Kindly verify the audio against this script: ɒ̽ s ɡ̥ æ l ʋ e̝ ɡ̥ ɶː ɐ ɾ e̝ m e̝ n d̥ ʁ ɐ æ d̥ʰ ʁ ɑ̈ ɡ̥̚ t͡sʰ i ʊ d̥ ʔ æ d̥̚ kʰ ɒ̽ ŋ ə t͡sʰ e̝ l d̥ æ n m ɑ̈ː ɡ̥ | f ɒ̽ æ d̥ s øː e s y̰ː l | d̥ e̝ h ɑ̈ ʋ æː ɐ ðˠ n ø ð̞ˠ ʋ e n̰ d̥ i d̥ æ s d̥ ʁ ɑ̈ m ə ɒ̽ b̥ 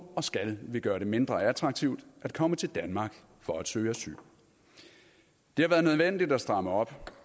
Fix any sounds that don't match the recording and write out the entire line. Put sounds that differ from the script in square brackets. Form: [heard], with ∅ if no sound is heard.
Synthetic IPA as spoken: ɒ̽ s ɡ̥ æ l ʋ e̝ ɡ̥ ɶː ɐ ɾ e̝ m e̝ n d̥ ʁ ɐ æ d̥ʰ ʁ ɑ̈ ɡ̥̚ t͡sʰ i ʊ d̥ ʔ æ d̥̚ kʰ ɒ̽ [m] ə t͡sʰ e̝ l d̥ æ n m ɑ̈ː ɡ̥ | f ɒ̽ æ d̥ s øː [æ] s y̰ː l | d̥ e̝ h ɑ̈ ʋ æː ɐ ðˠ n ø ð̞ˠ ʋ e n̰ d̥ i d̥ æ s d̥ ʁ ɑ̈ m ə ɒ̽ b̥